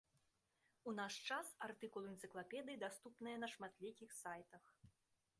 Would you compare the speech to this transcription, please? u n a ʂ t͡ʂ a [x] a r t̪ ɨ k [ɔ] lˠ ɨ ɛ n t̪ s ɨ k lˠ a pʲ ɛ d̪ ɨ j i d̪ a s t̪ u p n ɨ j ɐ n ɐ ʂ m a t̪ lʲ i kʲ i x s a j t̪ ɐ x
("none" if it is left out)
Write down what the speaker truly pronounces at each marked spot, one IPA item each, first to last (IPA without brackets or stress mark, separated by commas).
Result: s, u